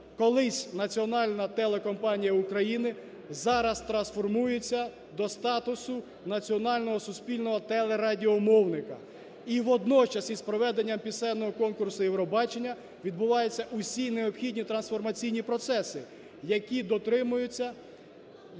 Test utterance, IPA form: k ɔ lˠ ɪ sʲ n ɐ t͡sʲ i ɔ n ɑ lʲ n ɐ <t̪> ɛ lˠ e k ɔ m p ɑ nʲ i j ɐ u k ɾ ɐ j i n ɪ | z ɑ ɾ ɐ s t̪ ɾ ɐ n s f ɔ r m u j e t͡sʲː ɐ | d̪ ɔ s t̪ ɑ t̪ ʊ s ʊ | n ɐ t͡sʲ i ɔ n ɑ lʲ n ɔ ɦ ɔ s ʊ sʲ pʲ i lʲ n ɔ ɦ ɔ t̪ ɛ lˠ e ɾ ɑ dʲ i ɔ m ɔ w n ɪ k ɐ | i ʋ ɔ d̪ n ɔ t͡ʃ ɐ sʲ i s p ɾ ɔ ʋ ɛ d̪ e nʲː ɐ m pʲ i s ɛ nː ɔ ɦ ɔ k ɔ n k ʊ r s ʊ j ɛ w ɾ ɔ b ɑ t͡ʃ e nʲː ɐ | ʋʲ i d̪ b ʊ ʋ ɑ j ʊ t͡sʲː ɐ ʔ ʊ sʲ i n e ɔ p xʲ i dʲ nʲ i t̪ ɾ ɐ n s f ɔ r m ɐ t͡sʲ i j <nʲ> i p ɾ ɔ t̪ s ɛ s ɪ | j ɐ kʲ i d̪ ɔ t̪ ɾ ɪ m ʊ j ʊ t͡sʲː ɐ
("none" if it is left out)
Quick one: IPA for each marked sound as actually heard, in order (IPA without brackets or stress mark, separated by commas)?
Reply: t̪, nʲ